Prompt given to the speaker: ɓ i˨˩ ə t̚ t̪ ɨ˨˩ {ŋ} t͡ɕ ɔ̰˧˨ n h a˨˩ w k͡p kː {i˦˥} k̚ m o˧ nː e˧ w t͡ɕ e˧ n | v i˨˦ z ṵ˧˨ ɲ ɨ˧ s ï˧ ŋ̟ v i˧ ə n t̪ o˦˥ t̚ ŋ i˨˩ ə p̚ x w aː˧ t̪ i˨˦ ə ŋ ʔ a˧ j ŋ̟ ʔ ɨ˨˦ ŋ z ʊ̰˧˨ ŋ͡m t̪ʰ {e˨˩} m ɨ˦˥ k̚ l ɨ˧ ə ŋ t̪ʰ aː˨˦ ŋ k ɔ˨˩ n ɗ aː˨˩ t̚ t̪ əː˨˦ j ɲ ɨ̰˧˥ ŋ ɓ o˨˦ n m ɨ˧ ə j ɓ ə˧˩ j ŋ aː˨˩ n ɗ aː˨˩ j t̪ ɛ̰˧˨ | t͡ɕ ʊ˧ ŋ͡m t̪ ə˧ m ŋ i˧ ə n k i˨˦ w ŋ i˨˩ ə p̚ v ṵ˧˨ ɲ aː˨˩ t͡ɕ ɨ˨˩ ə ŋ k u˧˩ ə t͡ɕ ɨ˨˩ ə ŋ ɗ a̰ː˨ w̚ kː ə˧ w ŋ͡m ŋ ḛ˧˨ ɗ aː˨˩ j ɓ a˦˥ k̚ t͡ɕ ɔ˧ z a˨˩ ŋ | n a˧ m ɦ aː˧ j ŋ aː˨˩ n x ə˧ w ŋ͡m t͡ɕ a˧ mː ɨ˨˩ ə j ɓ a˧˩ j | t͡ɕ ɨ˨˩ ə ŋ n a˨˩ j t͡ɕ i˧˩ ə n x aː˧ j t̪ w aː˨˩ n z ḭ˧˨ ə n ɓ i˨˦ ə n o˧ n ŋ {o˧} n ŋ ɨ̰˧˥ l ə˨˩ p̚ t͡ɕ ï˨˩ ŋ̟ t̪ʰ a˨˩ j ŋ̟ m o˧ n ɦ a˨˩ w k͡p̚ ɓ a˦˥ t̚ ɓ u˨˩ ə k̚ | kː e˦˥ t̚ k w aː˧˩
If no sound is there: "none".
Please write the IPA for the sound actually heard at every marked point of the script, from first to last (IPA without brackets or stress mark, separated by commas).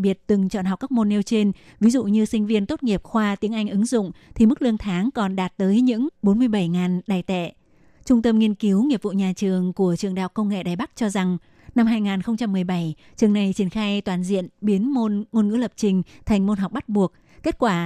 ŋ, a˦˥, i˨˩, o˧